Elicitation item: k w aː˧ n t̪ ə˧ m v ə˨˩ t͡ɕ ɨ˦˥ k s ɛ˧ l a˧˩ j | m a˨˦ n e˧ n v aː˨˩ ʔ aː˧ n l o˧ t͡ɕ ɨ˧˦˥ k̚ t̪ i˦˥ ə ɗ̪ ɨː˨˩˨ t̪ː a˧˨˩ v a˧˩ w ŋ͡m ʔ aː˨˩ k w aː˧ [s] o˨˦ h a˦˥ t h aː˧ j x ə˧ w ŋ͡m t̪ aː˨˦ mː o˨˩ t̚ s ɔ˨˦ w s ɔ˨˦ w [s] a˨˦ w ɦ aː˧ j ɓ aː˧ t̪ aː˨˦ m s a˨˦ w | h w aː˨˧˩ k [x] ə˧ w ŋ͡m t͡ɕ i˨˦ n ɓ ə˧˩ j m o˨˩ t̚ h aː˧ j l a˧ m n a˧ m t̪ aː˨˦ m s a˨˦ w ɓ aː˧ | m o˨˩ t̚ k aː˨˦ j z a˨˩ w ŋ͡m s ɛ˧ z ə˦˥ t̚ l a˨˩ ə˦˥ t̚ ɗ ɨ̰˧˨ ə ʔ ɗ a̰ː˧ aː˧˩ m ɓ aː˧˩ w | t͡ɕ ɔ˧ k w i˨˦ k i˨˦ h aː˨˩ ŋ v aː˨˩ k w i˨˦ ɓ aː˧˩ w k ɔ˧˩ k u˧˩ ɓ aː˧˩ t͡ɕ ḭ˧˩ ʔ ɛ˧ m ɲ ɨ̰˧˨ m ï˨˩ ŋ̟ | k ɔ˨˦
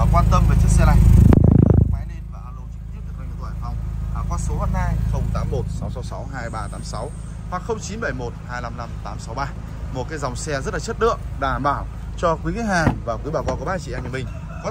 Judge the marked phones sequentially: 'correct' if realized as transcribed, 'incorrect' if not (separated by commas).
correct, correct, correct